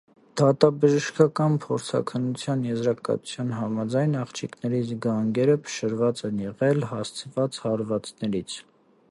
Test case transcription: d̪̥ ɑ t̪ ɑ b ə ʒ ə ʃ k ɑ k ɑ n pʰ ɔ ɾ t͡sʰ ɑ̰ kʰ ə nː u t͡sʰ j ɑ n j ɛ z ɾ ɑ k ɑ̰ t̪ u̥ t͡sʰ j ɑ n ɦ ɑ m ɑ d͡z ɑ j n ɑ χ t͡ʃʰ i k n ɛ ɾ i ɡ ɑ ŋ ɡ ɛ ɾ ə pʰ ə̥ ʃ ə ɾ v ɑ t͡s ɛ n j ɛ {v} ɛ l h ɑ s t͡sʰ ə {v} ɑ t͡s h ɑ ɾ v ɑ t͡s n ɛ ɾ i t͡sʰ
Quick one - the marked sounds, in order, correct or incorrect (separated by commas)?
incorrect, correct